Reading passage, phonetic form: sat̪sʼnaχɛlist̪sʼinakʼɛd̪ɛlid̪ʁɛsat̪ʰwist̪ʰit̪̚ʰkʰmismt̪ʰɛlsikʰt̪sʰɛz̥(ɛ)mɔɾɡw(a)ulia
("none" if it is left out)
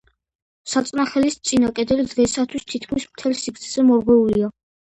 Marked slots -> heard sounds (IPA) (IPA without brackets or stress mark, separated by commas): ɛ, ɛ